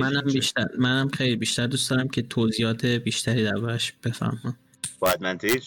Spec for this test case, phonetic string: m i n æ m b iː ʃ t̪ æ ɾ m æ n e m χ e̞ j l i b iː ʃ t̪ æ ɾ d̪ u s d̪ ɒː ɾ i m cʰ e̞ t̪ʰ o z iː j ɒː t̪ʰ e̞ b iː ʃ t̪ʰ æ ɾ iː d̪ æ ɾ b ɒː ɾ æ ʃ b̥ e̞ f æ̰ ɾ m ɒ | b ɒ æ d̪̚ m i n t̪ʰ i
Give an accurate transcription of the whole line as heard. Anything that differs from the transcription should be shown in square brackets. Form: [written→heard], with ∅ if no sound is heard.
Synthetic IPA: m [i→æ] n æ m b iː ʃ t̪ æ ɾ m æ n [e→æ] m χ e̞ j l i b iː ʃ t̪ æ ɾ d̪ u s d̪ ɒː ɾ [i→æ] m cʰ e̞ t̪ʰ o z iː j ɒː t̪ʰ e̞ b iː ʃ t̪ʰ æ ɾ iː d̪ æ ɾ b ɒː ɾ æ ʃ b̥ e̞ f æ̰ ɾ m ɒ | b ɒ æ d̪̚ m [i→æ] n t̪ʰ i